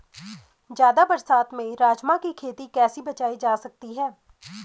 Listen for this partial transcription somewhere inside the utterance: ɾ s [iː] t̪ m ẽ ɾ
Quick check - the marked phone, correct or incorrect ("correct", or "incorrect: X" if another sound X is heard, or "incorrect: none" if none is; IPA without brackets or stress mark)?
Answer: incorrect: aː